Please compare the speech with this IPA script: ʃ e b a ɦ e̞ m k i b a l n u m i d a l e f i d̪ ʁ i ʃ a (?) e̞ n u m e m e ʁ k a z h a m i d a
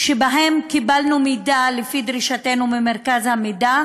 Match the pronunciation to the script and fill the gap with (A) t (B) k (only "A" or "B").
A